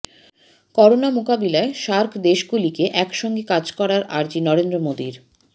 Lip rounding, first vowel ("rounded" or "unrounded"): rounded